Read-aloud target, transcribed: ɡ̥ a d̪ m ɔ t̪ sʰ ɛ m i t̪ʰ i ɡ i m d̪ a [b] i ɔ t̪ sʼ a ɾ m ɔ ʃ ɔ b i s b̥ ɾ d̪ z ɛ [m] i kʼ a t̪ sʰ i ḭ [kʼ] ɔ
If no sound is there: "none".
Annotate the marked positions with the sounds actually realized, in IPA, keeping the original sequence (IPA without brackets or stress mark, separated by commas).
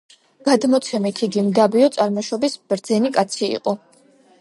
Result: b, n, qʼ